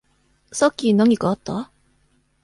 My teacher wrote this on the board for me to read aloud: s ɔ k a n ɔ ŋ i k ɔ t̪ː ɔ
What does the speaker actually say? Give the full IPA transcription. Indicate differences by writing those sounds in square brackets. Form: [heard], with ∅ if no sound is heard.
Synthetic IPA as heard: s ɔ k [i] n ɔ ŋ i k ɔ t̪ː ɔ